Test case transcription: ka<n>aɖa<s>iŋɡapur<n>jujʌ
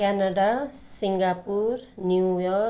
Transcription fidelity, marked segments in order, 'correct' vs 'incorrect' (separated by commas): correct, correct, correct